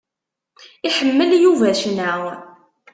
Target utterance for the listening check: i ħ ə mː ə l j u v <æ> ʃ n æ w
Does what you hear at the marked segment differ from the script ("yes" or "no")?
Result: no